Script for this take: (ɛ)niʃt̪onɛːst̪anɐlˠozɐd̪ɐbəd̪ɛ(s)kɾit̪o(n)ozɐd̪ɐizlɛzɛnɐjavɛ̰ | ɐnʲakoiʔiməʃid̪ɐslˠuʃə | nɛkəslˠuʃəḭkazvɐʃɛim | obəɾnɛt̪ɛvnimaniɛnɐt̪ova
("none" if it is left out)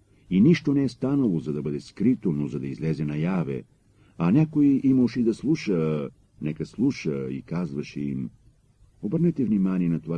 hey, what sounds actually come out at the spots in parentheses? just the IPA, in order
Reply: i, s, n

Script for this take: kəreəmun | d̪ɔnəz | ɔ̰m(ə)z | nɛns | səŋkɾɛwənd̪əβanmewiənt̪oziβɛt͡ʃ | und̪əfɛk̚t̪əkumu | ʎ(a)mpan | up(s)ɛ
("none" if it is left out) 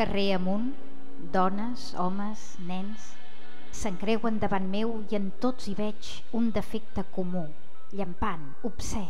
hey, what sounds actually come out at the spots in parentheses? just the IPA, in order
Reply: ə, ə, s

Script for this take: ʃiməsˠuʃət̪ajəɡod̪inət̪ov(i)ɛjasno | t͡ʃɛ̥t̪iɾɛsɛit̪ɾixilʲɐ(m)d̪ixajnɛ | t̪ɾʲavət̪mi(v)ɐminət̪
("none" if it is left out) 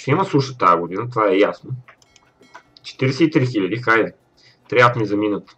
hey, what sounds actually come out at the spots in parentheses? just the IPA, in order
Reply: a, none, z

